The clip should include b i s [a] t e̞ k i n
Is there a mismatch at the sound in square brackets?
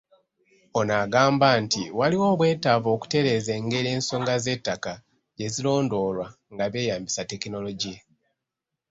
no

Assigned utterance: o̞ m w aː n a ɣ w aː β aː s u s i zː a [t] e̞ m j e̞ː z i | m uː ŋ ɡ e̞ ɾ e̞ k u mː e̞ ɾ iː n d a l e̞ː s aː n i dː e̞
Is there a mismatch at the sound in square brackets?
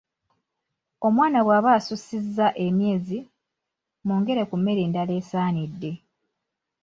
yes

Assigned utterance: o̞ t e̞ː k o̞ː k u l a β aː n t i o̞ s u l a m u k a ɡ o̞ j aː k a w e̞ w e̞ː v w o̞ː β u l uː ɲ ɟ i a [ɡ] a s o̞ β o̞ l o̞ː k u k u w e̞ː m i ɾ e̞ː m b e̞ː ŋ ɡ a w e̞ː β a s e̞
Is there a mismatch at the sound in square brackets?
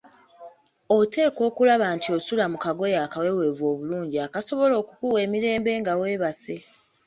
yes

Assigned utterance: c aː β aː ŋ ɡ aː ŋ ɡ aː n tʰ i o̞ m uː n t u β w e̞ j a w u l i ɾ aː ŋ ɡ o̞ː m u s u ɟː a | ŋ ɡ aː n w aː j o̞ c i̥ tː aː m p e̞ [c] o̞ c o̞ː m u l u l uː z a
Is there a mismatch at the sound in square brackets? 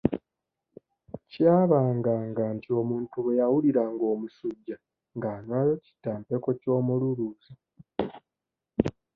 yes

